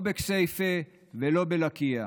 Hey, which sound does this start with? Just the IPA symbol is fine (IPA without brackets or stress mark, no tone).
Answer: b